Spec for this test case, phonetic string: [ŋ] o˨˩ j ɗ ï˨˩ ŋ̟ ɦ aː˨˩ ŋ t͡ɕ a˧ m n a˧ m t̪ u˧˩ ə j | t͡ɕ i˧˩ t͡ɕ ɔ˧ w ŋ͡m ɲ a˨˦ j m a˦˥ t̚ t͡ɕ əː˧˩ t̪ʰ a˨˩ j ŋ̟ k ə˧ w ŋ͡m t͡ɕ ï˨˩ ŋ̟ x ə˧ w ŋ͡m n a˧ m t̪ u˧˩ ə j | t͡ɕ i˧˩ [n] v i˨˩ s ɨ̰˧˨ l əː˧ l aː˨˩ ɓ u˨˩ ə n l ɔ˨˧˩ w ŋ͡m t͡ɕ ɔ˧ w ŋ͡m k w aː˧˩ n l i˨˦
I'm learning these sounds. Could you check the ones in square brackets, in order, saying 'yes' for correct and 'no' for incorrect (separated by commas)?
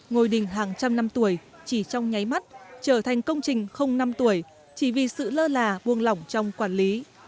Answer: yes, no